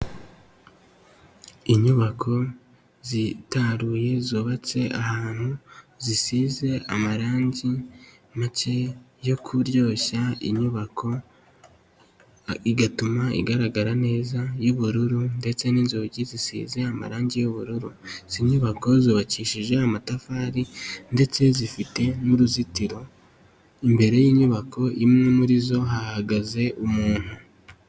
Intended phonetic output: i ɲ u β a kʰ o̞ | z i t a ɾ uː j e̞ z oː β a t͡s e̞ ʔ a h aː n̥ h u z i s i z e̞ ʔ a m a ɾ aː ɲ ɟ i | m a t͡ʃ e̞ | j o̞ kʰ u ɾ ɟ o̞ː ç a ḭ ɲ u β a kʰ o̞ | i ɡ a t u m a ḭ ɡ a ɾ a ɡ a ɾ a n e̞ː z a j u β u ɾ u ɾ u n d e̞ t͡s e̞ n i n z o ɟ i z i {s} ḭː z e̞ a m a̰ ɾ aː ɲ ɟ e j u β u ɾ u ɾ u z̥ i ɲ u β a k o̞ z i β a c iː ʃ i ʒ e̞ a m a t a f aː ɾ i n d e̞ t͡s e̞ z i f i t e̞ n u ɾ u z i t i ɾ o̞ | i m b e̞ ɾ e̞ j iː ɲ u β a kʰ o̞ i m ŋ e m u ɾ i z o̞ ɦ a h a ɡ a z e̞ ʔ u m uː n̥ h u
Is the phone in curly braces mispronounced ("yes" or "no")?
no